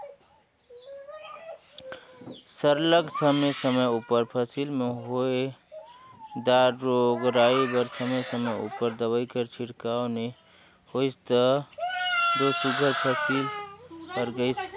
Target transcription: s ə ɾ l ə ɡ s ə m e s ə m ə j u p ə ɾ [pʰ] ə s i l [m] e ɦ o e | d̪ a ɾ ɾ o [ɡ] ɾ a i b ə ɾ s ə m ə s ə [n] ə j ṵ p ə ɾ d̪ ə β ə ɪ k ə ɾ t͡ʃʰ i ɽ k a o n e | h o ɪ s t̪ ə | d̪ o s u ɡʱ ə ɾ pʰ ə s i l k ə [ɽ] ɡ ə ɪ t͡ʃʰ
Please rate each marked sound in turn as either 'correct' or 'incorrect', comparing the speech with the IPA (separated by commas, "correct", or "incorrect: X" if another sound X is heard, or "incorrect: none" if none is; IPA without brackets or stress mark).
correct, correct, correct, incorrect: m, incorrect: ɾ